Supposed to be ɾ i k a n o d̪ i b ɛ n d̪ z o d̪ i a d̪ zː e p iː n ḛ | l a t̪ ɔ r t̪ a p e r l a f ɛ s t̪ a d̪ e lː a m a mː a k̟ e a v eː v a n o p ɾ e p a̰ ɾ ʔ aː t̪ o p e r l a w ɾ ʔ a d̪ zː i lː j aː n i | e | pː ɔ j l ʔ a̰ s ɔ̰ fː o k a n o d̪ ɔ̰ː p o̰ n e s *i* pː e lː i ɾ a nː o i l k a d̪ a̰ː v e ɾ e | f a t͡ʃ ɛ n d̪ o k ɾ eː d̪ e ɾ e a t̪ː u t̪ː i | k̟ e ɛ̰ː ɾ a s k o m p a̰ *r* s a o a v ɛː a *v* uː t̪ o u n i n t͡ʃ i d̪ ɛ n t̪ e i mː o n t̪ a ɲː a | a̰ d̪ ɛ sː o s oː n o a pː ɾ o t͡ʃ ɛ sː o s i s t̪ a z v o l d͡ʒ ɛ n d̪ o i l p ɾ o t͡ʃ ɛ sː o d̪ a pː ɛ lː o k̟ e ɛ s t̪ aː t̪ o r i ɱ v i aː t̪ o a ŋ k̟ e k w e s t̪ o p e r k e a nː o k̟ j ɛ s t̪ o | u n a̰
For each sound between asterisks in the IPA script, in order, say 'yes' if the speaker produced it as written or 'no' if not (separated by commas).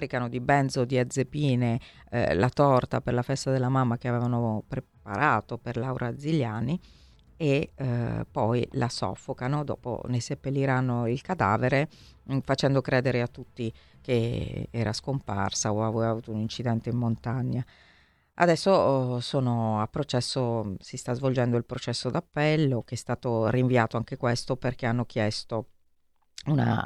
no, yes, yes